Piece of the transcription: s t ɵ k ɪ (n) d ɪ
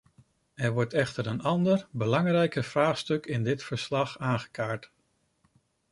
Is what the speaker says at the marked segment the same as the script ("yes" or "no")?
yes